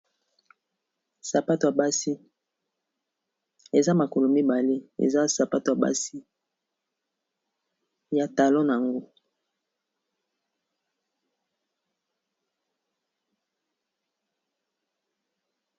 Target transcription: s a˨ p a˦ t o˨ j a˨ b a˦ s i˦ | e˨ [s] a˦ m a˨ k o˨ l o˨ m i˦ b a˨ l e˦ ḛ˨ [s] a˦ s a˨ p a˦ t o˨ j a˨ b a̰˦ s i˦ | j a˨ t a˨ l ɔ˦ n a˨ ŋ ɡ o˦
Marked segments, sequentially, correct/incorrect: incorrect: z, incorrect: z

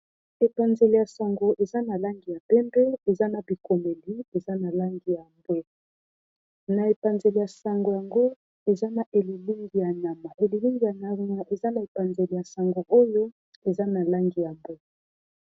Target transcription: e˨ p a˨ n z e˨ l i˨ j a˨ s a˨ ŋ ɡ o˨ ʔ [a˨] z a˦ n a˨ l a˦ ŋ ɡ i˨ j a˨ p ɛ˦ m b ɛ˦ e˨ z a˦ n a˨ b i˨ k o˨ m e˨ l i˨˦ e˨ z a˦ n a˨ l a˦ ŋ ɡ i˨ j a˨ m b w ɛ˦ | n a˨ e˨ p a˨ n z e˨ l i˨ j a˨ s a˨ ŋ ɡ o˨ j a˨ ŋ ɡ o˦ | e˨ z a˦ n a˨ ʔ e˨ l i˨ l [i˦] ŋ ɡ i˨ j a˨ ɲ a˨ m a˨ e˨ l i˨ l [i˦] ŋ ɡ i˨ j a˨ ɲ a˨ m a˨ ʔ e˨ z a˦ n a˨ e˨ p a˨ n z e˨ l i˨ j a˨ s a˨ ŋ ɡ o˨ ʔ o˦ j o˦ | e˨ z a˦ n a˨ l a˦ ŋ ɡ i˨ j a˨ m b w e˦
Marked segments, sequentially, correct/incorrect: incorrect: e˨, correct, correct

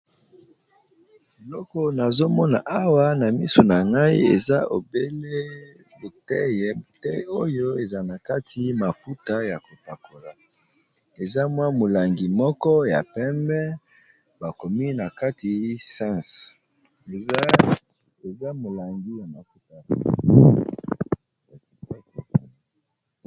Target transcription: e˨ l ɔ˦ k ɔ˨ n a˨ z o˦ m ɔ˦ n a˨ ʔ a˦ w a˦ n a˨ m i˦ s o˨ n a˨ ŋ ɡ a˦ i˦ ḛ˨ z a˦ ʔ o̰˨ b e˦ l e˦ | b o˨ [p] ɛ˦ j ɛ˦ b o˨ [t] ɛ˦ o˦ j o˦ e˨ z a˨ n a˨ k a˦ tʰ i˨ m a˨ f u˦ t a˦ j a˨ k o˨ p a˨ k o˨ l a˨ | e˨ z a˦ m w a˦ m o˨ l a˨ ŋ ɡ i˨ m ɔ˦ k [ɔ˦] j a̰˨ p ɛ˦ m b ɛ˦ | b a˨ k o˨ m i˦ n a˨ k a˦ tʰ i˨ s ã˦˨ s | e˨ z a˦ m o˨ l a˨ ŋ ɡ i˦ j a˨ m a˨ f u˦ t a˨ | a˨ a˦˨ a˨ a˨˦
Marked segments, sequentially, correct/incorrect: incorrect: t, correct, correct

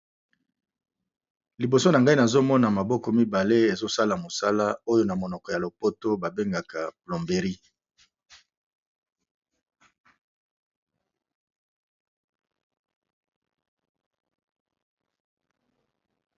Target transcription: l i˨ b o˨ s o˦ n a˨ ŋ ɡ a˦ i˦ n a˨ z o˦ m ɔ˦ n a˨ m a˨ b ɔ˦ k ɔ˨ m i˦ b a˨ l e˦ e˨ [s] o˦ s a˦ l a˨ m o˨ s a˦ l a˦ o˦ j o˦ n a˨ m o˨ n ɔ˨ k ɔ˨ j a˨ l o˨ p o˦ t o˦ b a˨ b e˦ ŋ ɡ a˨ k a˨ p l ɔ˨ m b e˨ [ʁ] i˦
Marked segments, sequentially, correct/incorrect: incorrect: z, correct

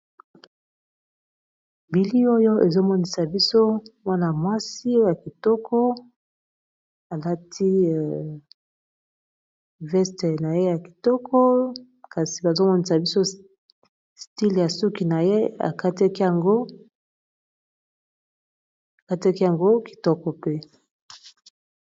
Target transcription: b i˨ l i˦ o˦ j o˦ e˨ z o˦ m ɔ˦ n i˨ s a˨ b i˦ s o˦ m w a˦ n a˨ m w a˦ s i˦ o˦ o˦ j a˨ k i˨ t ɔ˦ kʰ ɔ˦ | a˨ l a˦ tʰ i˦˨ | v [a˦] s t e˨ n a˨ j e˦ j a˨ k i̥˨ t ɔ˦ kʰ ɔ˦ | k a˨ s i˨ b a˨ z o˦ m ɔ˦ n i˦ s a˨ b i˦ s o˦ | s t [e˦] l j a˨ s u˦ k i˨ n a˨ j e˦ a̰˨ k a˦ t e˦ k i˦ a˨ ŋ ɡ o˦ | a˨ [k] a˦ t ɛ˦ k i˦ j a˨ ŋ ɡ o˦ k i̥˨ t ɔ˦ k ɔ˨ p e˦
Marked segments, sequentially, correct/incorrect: incorrect: ɛ˦, incorrect: i˦, correct

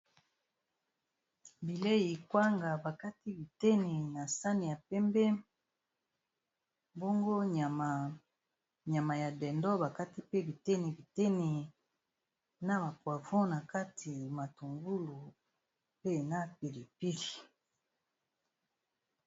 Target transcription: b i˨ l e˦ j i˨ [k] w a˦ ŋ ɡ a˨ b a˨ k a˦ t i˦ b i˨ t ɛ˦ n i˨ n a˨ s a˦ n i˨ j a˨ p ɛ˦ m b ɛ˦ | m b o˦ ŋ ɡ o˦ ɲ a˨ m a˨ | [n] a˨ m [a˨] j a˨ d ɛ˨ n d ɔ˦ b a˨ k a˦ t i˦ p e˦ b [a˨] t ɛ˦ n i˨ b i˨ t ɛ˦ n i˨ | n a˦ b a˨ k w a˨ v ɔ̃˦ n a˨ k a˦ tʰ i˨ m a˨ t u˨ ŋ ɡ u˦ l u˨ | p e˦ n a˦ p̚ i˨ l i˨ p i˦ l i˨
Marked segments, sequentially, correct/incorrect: correct, incorrect: ɲ, correct, incorrect: i˨

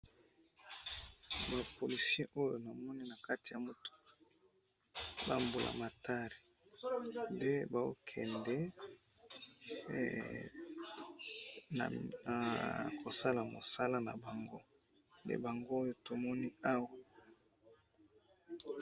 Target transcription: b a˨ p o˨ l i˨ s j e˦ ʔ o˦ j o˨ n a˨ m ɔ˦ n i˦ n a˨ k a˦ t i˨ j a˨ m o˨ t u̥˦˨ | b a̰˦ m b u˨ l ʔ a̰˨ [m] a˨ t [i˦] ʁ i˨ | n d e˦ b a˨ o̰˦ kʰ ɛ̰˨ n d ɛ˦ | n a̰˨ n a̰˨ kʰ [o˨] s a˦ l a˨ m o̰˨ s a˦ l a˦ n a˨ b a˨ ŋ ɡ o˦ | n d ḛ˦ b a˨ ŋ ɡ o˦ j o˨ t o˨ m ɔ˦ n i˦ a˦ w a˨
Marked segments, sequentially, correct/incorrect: correct, incorrect: a˦, correct

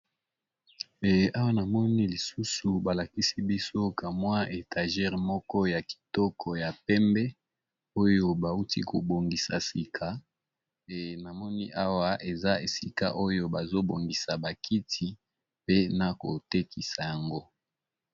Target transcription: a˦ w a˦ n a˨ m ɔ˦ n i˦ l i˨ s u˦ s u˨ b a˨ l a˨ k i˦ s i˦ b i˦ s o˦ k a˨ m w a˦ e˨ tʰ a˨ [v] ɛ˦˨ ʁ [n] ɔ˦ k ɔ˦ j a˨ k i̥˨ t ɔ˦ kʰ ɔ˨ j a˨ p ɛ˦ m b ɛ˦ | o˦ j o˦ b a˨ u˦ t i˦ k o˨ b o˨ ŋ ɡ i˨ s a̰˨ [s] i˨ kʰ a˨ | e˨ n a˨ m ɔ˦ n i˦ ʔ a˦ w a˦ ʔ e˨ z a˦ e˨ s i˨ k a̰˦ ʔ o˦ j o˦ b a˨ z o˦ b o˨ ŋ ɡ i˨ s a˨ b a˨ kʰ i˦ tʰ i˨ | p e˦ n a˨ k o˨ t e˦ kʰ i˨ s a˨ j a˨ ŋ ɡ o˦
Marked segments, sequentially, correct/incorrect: incorrect: ʒ, incorrect: m, correct

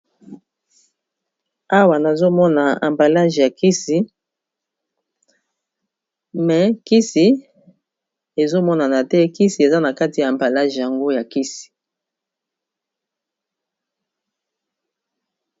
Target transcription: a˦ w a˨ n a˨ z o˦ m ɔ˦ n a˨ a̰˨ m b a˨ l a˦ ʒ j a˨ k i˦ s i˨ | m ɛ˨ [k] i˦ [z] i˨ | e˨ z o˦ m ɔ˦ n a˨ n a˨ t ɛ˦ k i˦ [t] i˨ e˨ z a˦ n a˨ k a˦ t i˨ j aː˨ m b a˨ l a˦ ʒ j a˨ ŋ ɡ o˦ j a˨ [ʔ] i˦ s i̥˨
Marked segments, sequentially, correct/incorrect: correct, incorrect: s, incorrect: s, incorrect: k

